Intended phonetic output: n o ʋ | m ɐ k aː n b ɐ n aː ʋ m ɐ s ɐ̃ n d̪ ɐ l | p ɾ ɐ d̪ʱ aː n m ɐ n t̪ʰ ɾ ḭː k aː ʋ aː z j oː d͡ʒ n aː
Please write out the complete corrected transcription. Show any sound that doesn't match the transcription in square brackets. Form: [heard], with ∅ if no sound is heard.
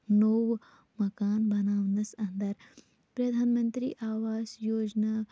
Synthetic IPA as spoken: n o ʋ | m ɐ k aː n b ɐ n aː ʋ [n] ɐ s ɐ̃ n d̪ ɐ [ɾ] | p ɾ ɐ d̪ʱ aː n m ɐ n [t̪] ɾ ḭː [ʔ] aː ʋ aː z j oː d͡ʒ n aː